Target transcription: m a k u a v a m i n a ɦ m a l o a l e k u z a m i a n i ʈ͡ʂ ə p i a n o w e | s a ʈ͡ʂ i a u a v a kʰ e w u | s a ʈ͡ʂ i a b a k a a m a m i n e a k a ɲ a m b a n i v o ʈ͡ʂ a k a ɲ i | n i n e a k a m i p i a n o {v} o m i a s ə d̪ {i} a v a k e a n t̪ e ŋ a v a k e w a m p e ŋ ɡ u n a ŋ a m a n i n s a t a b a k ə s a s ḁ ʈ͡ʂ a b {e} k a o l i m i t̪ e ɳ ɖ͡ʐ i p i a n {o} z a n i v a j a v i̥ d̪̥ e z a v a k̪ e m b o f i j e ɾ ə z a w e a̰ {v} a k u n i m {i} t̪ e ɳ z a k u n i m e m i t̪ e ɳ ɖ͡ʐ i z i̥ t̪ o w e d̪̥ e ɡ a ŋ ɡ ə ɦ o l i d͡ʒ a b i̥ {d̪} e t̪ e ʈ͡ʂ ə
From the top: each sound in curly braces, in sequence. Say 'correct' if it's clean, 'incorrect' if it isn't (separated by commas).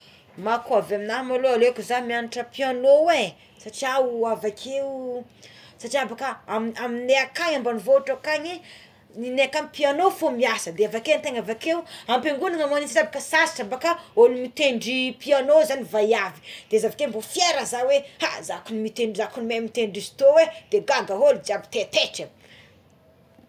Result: incorrect, incorrect, incorrect, correct, incorrect, correct, incorrect